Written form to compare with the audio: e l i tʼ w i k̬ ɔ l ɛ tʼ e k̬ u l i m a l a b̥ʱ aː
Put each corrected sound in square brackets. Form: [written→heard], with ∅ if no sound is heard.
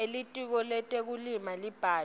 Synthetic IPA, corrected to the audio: e l i tʼ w i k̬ ɔ l ɛ tʼ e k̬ u l i m a l [a→i] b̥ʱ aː